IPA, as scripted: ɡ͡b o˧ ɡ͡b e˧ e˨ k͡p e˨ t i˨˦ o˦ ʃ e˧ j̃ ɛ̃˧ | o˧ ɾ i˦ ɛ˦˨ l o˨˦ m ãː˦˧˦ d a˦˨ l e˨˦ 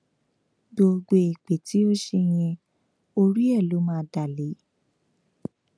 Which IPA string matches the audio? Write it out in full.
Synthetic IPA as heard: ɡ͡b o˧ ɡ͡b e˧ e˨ k͡p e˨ t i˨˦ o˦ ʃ e˧ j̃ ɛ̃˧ | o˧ ɾ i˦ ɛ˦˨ l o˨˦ m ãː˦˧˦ d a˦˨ l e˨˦